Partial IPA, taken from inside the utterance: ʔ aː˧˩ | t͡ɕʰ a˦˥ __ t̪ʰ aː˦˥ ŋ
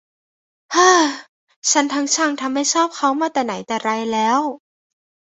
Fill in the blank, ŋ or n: n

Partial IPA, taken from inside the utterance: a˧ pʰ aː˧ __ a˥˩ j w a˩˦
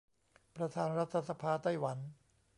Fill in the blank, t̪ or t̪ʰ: t̪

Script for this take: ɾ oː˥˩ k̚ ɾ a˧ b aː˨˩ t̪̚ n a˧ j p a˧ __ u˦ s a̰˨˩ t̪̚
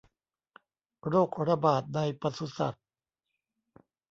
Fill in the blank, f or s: s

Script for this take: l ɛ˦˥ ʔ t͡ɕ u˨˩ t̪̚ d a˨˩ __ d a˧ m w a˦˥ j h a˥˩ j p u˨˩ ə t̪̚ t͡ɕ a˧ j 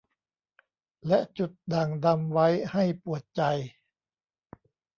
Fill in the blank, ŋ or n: ŋ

